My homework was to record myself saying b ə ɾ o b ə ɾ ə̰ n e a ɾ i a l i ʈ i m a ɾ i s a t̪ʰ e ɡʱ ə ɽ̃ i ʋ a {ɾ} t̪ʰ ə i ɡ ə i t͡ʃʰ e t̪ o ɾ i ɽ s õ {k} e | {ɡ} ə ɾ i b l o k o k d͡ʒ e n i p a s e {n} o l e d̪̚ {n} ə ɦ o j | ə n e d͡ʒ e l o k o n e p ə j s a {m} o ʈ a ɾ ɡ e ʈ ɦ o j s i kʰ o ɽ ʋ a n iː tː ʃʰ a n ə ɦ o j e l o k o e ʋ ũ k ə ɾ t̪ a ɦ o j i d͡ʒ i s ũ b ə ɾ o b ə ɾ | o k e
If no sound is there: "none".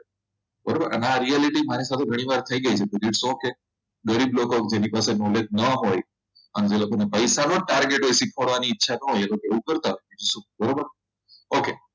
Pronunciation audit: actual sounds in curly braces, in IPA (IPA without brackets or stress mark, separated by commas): ɾ, k, ɡ, n, n, n